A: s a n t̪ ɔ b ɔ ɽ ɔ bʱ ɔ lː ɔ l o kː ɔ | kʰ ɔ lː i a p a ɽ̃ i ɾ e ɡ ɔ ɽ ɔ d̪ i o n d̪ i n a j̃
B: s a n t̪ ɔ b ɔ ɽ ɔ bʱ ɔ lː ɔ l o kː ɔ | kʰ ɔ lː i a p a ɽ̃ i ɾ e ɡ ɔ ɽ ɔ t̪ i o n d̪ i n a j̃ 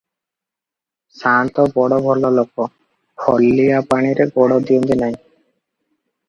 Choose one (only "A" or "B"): A